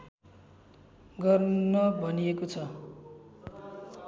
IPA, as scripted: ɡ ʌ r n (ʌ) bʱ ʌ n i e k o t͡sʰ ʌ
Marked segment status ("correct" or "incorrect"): correct